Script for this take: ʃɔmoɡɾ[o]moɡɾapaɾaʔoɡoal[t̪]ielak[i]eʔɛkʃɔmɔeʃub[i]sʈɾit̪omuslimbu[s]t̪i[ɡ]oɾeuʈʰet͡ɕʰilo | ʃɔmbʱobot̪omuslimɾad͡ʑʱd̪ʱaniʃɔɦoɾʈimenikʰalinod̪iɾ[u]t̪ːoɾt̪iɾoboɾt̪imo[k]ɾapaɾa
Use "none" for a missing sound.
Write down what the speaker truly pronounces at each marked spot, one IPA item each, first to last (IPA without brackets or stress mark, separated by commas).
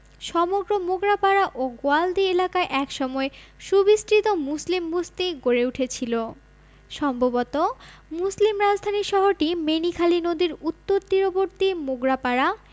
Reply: o, d̪, a, i, s, ɡ, u, ɡ